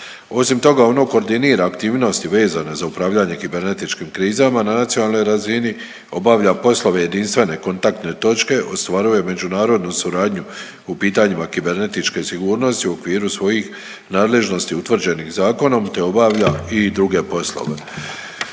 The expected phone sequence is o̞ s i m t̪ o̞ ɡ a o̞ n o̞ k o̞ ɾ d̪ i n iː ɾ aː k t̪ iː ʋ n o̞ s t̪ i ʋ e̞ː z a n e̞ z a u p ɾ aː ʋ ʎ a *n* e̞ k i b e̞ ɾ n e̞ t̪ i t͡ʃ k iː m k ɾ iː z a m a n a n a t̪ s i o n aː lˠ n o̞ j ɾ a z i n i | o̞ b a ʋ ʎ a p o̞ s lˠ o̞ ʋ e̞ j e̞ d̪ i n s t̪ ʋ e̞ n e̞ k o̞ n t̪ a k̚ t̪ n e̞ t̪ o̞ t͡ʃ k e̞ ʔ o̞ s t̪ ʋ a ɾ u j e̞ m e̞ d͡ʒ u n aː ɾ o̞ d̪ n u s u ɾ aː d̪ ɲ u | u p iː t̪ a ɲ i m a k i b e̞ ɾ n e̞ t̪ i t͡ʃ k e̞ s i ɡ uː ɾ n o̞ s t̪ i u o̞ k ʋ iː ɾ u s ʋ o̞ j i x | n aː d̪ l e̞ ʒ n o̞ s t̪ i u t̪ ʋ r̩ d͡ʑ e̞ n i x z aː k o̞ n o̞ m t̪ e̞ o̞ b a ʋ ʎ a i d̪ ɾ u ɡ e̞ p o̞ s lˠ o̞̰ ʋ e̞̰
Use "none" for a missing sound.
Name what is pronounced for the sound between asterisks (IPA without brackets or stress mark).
ɲ